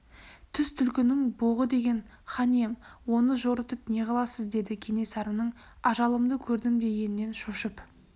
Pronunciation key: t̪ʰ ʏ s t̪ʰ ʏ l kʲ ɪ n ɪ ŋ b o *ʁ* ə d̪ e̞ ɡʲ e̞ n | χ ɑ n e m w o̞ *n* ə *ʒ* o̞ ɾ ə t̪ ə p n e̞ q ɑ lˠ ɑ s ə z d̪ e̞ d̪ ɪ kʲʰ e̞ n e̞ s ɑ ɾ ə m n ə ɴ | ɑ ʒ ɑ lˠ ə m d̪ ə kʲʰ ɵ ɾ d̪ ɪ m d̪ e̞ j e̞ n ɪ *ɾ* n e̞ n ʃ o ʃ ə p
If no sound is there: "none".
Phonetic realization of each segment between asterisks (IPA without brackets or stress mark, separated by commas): ʁ, n, ʒ, none